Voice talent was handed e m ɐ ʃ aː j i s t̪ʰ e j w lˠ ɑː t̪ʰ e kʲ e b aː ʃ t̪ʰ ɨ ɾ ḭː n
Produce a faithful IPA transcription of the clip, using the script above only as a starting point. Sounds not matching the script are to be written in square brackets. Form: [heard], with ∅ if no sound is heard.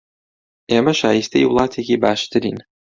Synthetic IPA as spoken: e m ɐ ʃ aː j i s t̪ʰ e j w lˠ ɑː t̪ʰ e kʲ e b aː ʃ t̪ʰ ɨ ɾ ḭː n